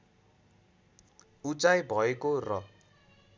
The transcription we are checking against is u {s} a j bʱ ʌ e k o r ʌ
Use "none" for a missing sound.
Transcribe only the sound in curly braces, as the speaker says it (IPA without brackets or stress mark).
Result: t͡s